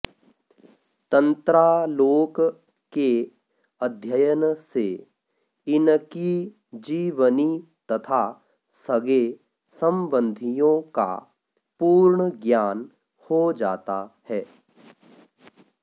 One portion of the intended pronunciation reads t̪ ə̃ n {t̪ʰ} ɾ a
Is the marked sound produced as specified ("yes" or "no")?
no